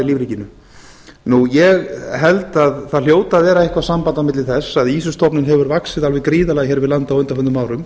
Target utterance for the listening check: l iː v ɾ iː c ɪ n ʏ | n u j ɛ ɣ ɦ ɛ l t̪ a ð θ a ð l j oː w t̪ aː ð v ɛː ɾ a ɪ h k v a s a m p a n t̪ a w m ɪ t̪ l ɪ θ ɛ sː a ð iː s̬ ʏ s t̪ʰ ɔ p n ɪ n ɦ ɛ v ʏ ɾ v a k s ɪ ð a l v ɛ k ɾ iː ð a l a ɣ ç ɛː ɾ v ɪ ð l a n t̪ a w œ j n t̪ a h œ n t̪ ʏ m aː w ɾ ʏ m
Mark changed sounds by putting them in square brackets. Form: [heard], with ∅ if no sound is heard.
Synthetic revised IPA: l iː v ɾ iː c ɪ n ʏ | n u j ɛ ɣ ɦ ɛ l t̪ a ð θ a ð l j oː w t̪ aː ð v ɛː ɾ a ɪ h k v a s a m p a n t̪ a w m ɪ t̪ l ɪ θ ɛ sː a ð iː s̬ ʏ s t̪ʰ ɔ p n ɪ n ɦ ɛ v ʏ ɾ v a k s ɪ ð a l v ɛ k ɾ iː ð a l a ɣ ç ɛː ɾ v ɪ ð l a n t̪ a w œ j n t̪ a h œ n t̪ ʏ m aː w ɾ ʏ m